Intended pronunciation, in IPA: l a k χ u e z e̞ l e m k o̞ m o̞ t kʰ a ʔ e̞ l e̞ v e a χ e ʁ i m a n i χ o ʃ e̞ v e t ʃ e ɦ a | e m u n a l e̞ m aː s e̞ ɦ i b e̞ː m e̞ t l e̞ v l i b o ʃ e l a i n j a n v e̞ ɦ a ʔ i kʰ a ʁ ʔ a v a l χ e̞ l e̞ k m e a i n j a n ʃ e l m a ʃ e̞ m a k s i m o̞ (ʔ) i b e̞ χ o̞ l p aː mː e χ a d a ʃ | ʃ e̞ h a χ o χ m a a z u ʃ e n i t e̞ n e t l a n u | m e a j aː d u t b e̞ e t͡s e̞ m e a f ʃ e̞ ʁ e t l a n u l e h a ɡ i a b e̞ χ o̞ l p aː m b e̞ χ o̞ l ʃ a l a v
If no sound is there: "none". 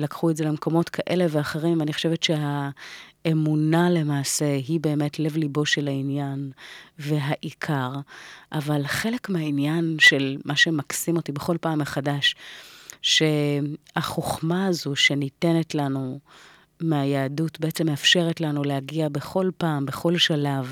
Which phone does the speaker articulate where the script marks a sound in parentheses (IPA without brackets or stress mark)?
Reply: t